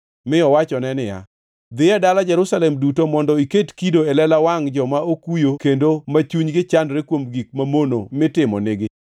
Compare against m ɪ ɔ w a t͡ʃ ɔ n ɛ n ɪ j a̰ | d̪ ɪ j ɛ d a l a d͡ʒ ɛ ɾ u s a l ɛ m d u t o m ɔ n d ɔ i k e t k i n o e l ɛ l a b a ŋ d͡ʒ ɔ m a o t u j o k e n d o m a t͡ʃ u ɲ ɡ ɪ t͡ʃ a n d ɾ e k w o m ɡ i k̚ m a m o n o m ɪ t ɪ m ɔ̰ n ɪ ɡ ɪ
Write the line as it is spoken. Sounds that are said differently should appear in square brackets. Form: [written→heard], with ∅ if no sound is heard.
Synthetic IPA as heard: m ɪ ɔ w a t͡ʃ ɔ n ɛ n ɪ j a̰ | d̪ ɪ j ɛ d a l a d͡ʒ ɛ ɾ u s a l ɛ m d u t o m ɔ n d ɔ i k e t k i [n→d] o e l ɛ l a [b→w] a ŋ d͡ʒ ɔ m a o [t→k] u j o k e n d o m a t͡ʃ u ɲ ɡ ɪ t͡ʃ a n d ɾ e k w o m ɡ i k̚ m a m o n o m ɪ t ɪ m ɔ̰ n ɪ ɡ ɪ

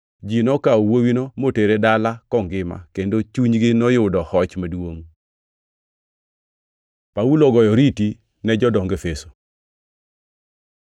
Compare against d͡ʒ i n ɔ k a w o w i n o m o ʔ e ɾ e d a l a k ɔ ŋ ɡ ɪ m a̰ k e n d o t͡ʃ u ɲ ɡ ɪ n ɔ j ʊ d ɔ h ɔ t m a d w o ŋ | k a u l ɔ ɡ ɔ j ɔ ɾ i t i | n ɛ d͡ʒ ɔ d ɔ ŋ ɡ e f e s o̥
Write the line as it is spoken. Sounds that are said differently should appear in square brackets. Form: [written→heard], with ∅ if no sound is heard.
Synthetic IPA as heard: d͡ʒ i n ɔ k a w o w i n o m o [ʔ→t] e ɾ e d a l a k ɔ ŋ ɡ ɪ m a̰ k e n d o t͡ʃ u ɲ ɡ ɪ n ɔ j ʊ d ɔ h ɔ [t→t͡ʃ] m a d w o ŋ | [k→p] a u l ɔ ɡ ɔ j ɔ ɾ i t i | n ɛ d͡ʒ ɔ d ɔ ŋ ɡ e f e s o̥

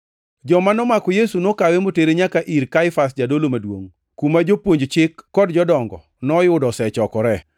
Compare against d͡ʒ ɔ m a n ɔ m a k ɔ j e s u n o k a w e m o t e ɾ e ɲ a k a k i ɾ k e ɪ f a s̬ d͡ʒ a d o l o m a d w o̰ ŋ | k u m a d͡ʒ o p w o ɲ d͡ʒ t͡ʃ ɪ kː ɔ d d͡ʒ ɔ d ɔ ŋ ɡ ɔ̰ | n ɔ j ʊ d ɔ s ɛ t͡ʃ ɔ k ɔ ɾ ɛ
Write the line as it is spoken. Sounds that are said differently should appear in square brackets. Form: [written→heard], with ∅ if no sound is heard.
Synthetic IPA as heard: d͡ʒ ɔ m a n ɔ m a k ɔ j e s u n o k a w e m o t e ɾ e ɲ a k a [k→ʔ] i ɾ k [e→a] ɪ f a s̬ d͡ʒ a d o l o m a d w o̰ ŋ | k u m a d͡ʒ o p w o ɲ d͡ʒ t͡ʃ ɪ kː ɔ d d͡ʒ ɔ d ɔ ŋ ɡ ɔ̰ | n ɔ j ʊ d ɔ s ɛ t͡ʃ ɔ k ɔ ɾ ɛ

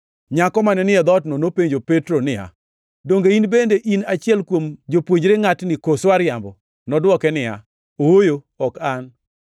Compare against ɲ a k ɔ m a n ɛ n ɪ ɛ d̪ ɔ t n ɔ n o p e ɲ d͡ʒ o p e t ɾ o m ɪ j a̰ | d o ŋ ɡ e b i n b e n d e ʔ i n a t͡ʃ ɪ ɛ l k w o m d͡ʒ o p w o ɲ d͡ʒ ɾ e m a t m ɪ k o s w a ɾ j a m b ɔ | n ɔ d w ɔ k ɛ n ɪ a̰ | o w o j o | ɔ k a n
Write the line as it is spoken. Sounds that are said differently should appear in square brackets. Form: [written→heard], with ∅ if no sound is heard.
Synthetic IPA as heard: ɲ a k ɔ m a n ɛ n ɪ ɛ d̪ ɔ t n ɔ n o p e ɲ d͡ʒ o p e t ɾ o [m→n] ɪ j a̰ | d o ŋ ɡ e [b→∅] i n b e n d e ʔ i n a t͡ʃ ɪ ɛ l k w o m d͡ʒ o p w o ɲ d͡ʒ ɾ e [m→ŋ] a t [m→n] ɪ k o s w a ɾ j a m b ɔ | n ɔ d w ɔ k ɛ n ɪ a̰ | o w o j o | ɔ k a n

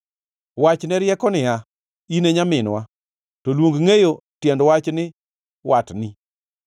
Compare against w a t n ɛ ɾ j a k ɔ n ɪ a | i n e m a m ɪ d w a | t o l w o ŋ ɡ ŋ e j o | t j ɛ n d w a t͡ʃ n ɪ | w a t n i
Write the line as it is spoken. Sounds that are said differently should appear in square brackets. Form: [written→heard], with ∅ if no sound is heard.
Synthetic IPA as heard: w a [t→t͡ʃ] n ɛ ɾ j [a→ɛ] k ɔ n ɪ a | i n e [m→ɲ] a m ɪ [d→n] w a | t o l w o ŋ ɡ ŋ e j o | t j ɛ n d w a t͡ʃ n ɪ | w a t n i

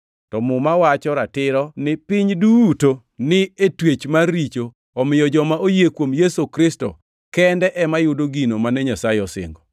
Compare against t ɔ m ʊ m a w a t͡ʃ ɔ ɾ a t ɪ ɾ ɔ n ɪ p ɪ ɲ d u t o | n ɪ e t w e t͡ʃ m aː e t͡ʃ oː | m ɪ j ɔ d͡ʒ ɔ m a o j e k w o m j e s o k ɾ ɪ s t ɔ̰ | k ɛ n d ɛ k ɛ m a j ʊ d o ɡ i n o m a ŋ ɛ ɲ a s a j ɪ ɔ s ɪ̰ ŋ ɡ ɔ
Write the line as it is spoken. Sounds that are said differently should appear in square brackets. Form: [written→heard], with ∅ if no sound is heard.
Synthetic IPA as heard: t ɔ m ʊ m a w a t͡ʃ ɔ ɾ a t ɪ ɾ ɔ n ɪ p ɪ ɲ d u t o | n ɪ e t w e t͡ʃ m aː [e→i] t͡ʃ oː | m ɪ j ɔ d͡ʒ ɔ m a o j e k w o m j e s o k ɾ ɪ s t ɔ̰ | k ɛ n d ɛ [k→ʔ] ɛ m a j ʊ d o ɡ i n o m a [ŋ→n] ɛ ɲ a s a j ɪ ɔ s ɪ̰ ŋ ɡ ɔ

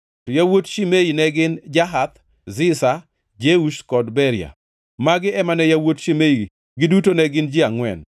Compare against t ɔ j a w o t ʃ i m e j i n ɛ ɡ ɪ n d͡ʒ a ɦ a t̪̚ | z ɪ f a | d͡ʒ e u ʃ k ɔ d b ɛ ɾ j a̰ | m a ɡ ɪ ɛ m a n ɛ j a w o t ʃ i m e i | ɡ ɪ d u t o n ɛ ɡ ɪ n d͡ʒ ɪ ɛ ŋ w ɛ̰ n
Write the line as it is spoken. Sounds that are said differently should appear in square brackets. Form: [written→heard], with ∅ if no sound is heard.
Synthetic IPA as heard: t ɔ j a w o t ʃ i m e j i n ɛ ɡ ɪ n d͡ʒ a ɦ a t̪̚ | z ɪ [f→s] a | d͡ʒ e u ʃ k ɔ d b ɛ ɾ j a̰ | m a ɡ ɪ ɛ m a n ɛ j a w o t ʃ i m e i | ɡ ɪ d u t o n ɛ ɡ ɪ n d͡ʒ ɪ [ɛ→a] ŋ w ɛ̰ n

